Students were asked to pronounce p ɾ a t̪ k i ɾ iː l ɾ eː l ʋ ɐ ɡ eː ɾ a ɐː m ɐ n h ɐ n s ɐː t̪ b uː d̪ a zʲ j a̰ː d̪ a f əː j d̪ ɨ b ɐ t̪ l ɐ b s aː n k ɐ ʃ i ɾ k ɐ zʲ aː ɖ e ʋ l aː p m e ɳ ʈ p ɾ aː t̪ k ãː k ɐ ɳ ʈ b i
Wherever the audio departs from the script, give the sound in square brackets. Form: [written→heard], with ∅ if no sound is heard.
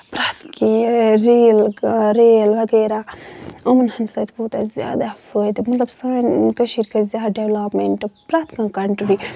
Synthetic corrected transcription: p ɾ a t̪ k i ɾ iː l ɾ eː l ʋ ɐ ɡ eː ɾ a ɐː m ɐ n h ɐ n s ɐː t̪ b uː [d̪→t̪] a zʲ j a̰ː d̪ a f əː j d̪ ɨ [b→m] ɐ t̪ l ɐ b s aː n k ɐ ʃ i ɾ k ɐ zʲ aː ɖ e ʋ l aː p m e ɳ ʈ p ɾ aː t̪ k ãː k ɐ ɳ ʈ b i